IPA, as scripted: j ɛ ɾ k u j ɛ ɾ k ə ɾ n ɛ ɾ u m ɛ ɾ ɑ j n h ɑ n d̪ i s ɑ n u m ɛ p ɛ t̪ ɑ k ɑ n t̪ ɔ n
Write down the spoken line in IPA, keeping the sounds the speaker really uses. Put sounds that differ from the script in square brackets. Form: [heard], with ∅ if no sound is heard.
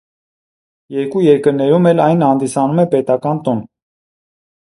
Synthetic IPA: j ɛ ɾ k u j ɛ ɾ k ə ɾ n ɛ ɾ u m ɛ [l] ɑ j n h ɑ n d̪ i s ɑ n u m ɛ p ɛ t̪ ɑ k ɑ n t̪ ɔ n

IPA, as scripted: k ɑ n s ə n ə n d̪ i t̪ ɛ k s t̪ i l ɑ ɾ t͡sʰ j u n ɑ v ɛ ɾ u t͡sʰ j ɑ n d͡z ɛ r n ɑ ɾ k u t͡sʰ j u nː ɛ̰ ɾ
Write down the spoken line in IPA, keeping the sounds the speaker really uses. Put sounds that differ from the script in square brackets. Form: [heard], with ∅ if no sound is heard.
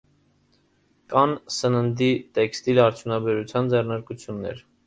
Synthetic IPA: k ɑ n s ə n ə n d̪ i t̪ ɛ k s t̪ i l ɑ ɾ t͡sʰ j u n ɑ [b] ɛ ɾ u t͡sʰ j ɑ n d͡z ɛ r n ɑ ɾ k u t͡sʰ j u nː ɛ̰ ɾ

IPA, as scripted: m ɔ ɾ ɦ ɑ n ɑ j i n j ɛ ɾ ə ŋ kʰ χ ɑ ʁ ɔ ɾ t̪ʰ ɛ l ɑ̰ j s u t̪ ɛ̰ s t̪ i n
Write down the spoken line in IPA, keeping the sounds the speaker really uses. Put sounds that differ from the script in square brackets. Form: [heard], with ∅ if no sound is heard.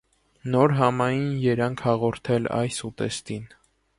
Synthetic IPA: [n] ɔ ɾ ɦ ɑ [m] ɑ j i n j ɛ ɾ [ɑ] ŋ kʰ [h] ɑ ʁ ɔ ɾ t̪ʰ ɛ l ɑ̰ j s u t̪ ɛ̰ s t̪ i n

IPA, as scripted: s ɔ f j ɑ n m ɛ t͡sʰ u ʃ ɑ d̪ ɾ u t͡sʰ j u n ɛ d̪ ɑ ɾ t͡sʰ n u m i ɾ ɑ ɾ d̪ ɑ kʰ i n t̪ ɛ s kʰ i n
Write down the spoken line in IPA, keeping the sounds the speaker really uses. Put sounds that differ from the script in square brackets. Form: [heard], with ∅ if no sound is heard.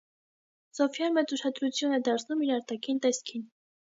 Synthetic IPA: s ɔ f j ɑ n m ɛ [t͡s] u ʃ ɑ d̪ ɾ u t͡sʰ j u n ɛ d̪ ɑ ɾ t͡sʰ n u m i ɾ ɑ ɾ [t̪] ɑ kʰ i n t̪ ɛ s kʰ i n

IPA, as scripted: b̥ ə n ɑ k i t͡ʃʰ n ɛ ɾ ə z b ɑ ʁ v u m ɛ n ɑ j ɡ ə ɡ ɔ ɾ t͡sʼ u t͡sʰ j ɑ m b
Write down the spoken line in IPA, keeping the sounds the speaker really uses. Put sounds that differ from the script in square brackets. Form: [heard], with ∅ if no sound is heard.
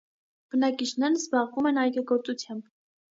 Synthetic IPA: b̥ ə n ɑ k i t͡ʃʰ n ɛ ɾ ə z b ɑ ʁ v u m ɛ n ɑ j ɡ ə ɡ ɔ ɾ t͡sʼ u t͡sʰ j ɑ m b

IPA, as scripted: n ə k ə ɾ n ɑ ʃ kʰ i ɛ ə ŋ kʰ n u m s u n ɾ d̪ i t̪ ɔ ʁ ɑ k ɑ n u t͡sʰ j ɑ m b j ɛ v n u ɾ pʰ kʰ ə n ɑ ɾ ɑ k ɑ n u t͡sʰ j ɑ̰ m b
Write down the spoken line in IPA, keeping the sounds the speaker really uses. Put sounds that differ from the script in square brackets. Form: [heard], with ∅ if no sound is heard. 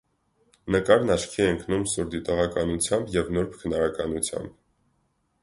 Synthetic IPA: n ə k [ɑ] ɾ n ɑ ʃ kʰ i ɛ ə ŋ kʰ n u m s u [∅] ɾ d̪ i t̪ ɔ ʁ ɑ k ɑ n u t͡sʰ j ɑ m b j ɛ v n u ɾ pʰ kʰ ə n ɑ ɾ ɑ k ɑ n u t͡sʰ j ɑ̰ m b

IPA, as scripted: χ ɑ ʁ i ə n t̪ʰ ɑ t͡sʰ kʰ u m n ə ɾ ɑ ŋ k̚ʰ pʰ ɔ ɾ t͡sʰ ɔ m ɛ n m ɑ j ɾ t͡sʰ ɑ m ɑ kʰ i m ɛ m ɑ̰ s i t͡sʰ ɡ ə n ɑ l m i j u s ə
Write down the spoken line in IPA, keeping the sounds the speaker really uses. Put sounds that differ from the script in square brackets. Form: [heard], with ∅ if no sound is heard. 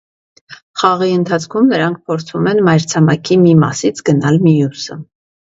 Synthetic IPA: χ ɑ ʁ i ə n t̪ʰ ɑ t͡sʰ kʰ u m n ə ɾ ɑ ŋ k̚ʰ pʰ ɔ ɾ t͡sʰ [u] m ɛ n m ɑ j ɾ t͡sʰ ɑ m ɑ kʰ i m [i] m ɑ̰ s i t͡sʰ ɡ ə n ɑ l m i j u s ə

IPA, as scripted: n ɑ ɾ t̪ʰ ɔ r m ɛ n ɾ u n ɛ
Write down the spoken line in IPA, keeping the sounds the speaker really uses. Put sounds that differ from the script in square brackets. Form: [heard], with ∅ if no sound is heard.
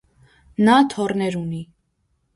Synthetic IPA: n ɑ [∅] t̪ʰ ɔ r [n] ɛ [∅] ɾ u n [i]

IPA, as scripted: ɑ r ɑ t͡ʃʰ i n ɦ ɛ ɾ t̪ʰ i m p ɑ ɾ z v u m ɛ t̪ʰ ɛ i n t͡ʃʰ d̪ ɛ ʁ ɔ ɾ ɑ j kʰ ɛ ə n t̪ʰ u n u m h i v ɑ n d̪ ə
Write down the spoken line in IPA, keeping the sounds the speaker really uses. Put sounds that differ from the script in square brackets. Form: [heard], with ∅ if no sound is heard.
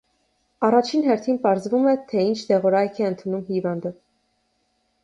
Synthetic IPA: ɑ r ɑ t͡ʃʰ i n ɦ ɛ ɾ t̪ʰ i [n] p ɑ ɾ z v u m ɛ t̪ʰ ɛ i n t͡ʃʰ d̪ ɛ ʁ ɔ ɾ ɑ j kʰ ɛ ə n t̪ʰ u n u m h i v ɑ n d̪ ə

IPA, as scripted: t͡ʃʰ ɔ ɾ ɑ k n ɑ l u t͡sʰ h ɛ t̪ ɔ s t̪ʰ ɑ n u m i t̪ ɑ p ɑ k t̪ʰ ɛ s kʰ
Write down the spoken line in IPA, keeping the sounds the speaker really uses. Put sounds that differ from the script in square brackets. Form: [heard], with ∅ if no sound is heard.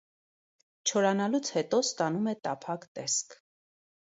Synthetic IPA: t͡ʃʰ ɔ ɾ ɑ [∅] n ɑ l u t͡sʰ h ɛ t̪ ɔ s [t̪] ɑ n u m [ɛ] t̪ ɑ [pʰ] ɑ k [t̪] ɛ s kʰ

